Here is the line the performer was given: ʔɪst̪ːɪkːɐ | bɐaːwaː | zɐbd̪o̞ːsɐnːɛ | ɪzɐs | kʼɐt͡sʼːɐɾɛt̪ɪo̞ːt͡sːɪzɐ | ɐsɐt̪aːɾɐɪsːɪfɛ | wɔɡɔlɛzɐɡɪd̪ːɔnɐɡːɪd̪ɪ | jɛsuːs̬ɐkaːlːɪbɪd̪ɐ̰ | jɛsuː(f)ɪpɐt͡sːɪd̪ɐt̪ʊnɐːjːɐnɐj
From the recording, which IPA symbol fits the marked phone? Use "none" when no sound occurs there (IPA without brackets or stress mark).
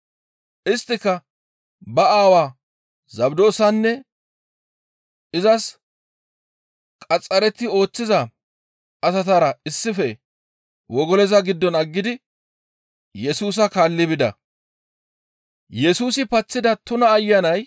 s